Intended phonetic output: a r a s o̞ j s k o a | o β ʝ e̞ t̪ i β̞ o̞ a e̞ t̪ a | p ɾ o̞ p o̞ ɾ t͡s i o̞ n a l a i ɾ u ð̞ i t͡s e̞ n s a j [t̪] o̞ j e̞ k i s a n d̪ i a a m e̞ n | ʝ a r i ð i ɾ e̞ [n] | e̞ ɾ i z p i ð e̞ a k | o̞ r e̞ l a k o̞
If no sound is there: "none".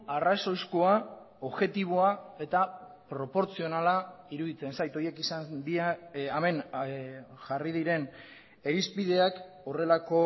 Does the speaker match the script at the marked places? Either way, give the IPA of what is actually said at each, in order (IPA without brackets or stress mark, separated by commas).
t̪, n